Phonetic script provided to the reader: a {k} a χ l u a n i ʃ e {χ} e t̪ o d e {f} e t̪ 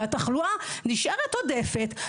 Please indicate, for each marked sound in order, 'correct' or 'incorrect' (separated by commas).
incorrect, incorrect, correct